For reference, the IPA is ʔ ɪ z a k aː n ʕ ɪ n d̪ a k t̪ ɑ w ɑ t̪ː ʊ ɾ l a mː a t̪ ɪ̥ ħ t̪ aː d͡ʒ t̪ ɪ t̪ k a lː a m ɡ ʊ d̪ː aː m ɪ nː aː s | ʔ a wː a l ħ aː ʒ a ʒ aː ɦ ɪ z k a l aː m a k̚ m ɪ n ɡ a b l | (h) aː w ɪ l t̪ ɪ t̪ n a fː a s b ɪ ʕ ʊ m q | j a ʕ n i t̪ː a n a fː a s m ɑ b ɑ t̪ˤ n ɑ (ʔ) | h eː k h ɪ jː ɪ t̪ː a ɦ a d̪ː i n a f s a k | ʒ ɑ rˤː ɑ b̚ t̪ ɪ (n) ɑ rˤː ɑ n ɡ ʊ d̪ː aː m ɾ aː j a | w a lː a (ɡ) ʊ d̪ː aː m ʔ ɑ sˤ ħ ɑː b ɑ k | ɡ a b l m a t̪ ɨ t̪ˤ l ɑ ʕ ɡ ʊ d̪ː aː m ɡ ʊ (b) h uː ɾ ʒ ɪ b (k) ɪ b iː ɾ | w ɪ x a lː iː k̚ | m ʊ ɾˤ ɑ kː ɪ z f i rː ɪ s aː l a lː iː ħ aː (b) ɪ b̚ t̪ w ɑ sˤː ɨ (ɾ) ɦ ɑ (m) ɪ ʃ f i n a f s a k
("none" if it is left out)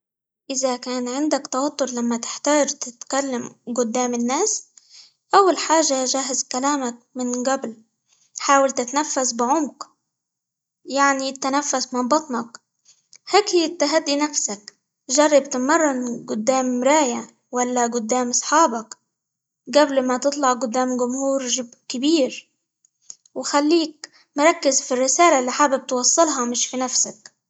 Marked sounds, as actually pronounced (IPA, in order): ħ, k, m, ɡ, m, k, b, l, m

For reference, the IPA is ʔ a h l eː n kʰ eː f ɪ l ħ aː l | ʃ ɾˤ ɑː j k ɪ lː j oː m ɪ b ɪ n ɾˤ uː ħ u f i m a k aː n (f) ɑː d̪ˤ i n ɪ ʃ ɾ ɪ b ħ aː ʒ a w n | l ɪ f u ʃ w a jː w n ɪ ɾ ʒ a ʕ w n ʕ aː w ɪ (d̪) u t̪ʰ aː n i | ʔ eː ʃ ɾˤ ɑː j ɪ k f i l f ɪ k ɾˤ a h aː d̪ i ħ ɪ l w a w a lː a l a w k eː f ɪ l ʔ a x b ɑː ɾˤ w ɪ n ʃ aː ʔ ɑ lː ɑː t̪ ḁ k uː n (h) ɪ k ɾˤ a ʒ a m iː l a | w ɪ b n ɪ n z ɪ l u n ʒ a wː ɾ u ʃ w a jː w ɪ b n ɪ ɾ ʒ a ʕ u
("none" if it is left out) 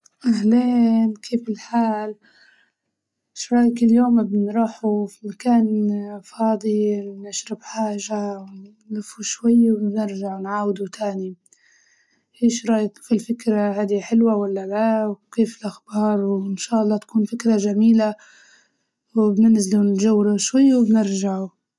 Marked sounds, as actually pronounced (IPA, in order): f, d̪, f

